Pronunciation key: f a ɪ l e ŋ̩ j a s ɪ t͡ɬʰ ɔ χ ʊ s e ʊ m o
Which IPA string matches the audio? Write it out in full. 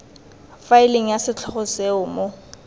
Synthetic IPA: f a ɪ l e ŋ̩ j a s ɪ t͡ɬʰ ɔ χ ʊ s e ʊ m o